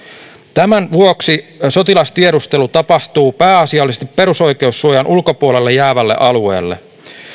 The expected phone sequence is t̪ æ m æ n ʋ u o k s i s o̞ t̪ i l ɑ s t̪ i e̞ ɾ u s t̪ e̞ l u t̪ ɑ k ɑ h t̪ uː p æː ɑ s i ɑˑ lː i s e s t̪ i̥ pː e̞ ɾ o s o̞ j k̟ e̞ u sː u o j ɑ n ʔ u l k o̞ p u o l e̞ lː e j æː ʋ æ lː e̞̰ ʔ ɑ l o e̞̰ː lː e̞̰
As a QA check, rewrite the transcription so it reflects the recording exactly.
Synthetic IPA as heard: t̪ æ m æ n ʋ u o k s i s o̞ t̪ i l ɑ s t̪ i e̞ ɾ u s t̪ e̞ l u t̪ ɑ p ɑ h t̪ uː p æː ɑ s i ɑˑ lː i s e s t̪ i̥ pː e̞ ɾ u s o̞ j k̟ e̞ u sː u o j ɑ n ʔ u l k o̞ p u o l e̞ lː e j æː ʋ æ lː e̞̰ ʔ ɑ l u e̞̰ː lː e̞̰

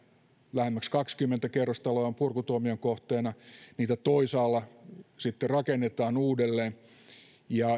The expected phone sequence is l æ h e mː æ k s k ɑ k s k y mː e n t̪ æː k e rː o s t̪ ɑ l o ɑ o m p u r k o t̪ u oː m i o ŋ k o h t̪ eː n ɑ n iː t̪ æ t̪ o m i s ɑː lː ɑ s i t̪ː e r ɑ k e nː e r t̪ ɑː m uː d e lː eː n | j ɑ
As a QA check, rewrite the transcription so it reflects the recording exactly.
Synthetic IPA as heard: l æ h e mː æ k s k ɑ k s k y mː e n t̪ æ k e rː o s t̪ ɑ l o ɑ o m p u r k u t̪ u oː m i o ŋ k o h t̪ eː n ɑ n iː t̪ æ t̪ o i s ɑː lː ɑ s i t̪ː e r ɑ k e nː e t̪ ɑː n uː d e lː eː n | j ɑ

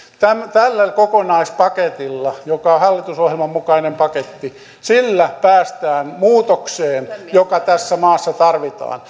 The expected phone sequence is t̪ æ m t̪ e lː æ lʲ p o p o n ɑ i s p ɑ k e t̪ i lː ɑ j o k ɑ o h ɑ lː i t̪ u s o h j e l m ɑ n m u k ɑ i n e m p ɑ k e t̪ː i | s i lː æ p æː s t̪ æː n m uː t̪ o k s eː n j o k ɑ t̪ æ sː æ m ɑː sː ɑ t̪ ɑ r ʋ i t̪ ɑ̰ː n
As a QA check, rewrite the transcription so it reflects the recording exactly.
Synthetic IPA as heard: t̪ æ m t̪ æ lː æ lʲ k o k o n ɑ i s p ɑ k e t̪ i lː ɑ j o k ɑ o h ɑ lː i t̪ u s o h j e l m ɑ m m u k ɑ i n e m p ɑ k e t̪ː i | s i lː æ p æː s t̪ æː n m uː t̪ o k s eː n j o k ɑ t̪ æ sː æ m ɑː sː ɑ t̪ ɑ r ʋ i t̪ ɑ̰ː n

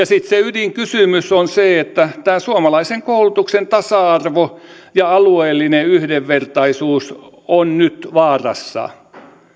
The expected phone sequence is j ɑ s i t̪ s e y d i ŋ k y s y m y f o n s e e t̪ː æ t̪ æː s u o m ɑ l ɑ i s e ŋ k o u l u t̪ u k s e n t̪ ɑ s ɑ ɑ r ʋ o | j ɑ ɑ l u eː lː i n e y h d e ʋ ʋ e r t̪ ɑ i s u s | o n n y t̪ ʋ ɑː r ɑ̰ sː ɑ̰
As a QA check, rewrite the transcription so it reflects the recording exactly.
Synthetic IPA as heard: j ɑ s i t̪ s e y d i ŋ k y s y m y s o n s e e t̪ː æ t̪ æː s u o m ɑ l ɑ i s e ŋ k o u l u t̪ u k s e n t̪ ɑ s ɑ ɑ r ʋ o | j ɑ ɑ l u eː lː i n e y h d e ʋ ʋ e r t̪ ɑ i s uː s | o n n y t̪ ʋ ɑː r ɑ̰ sː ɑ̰

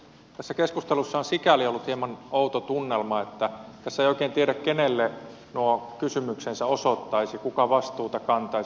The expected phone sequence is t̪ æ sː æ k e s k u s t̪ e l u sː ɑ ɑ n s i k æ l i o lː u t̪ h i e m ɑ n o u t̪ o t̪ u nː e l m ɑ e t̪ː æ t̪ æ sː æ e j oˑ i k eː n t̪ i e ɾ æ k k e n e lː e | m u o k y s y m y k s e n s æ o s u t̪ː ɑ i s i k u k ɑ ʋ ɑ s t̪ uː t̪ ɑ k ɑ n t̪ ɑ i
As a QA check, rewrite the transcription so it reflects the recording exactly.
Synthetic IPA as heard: t̪ æ sː æ k e s k u s t̪ e l u sː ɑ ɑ n s i k æ l i o lː u t̪ h i e m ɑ n o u t̪ o t̪ u nː e l m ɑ e t̪ː æ t̪ æ sː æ e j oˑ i k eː n t̪ i e ɾ æ k k e n e lː e | n u o k y s y m y k s e n s æ o s o t̪ː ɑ i s i k u k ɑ ʋ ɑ s t̪ uː t̪ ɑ k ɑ n t̪ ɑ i

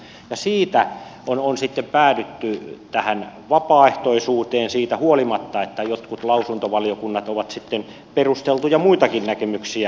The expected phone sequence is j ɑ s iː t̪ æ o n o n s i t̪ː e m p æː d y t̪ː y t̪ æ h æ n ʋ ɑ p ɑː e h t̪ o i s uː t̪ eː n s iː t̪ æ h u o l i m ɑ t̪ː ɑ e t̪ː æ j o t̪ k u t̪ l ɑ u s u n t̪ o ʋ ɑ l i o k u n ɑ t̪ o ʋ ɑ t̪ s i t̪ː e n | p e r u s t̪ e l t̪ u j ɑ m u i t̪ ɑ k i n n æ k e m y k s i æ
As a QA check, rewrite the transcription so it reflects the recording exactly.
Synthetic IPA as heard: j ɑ s iː t̪ æ o n o n s i t̪ː e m p æː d y t̪ː y t̪ æ h æ n ʋ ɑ p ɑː e h t̪ o i s uː t̪ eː n s iː t̪ æ h u o l i m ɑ t̪ː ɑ e t̪ː æ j o t̪ k u t̪ l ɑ u s u n t̪ o ʋ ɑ l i o k u nː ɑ t̪ o ʋ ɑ t̪ s i t̪ː e n | p e r u s t̪ e l t̪ u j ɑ m u i t̪ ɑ k i n n æ k e m y k s i æ

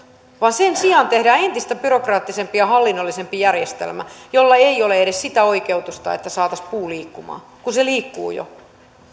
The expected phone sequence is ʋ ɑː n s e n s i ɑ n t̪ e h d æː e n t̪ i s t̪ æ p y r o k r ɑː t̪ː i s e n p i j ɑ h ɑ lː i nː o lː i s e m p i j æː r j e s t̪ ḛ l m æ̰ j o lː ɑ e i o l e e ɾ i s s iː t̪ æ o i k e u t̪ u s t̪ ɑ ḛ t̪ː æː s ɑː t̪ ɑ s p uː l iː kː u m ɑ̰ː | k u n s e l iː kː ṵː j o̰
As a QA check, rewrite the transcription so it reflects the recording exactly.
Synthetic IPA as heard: ʋ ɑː n s e n s i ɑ n t̪ e h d æː e n t̪ i s t̪ æ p y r o k r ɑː t̪ː i s e m p i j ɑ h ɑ lː i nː o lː i s e m p i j æ r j e s t̪ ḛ l m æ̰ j o lː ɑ e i o l e e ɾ e s s i t̪ æ o i k e u t̪ u s t̪ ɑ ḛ t̪ː æ s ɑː t̪ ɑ s p uː l iː kː u m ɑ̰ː | k u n s e l iː kː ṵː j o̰

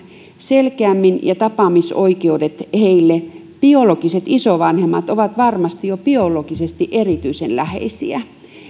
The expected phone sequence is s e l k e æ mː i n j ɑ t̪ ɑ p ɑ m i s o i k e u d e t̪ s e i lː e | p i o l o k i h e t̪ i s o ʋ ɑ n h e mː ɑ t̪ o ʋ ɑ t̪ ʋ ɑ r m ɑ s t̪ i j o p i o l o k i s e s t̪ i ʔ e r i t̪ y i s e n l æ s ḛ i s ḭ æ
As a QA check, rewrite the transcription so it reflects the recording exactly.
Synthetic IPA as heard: s e l k e æ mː i n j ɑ t̪ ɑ p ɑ m i s o i k e u d e t̪ h e i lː e | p i o l o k i s e t̪ i s o ʋ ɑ n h e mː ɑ t̪ o ʋ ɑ t̪ ʋ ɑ r m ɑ s t̪ i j o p i o l o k i s e s t̪ i ʔ e r i t̪ y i s e n l æ h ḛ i s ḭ æ

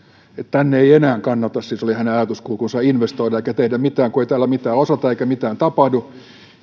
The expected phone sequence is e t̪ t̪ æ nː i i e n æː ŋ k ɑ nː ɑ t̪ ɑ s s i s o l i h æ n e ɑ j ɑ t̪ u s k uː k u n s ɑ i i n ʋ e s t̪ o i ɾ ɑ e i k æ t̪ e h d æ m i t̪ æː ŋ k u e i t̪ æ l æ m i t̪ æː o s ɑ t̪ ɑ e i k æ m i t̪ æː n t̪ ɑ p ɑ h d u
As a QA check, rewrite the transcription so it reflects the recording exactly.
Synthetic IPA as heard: e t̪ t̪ æ nː e i e n æː ŋ k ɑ nː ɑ t̪ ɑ s s i s o l i h æ n e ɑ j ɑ t̪ u s k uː k u n s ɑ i i n ʋ e s t̪ o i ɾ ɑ e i k æ t̪ e h d æ m i t̪ æː ŋ k u e i t̪ æː l æ m i t̪ æː o s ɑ t̪ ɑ e i k æ m i t̪ æː n t̪ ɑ p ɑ h d u

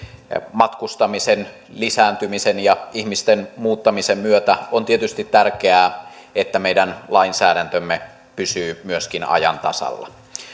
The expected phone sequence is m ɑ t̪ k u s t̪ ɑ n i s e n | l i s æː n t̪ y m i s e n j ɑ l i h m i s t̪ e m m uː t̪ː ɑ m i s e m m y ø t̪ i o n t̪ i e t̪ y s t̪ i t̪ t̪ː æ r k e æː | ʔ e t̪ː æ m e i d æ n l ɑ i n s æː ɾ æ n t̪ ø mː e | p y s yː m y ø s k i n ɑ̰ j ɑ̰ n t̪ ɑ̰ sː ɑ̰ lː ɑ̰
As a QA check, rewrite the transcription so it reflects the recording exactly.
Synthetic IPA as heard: m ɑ t̪ k u s t̪ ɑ m i s e n | l i s æː n t̪ y m i s e n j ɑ i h m i s t̪ e n m uː t̪ː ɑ m i s e m m y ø t̪ æ o n t̪ i e t̪ y s t̪ i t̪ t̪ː æ r k e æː | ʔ e t̪ː æ m e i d æ n l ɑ i n s æː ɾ æ n t̪ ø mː e | p y s yː m y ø s k i n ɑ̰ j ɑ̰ n t̪ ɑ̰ s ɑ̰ lː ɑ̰

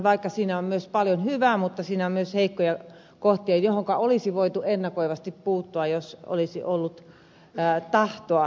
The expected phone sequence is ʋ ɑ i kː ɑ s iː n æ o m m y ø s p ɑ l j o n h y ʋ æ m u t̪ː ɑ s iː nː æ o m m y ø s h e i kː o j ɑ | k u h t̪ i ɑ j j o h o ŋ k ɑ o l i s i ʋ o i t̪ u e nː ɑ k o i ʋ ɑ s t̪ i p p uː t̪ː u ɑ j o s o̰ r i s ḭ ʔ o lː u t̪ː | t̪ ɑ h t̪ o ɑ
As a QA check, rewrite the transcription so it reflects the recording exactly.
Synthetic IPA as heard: ʋ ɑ i kː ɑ s iː n æ o m m y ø s p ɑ l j o n h y ʋ æ m u t̪ː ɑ s iː n æ o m m y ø s h e i kː o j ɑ | k o h t̪ i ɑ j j o h o ŋ k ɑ o l i s i ʋ o i t̪ u e nː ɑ k o i ʋ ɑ s t̪ i p p uː t̪ː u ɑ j o s o̰ l i s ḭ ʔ o lː u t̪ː | t̪ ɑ h t̪ o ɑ

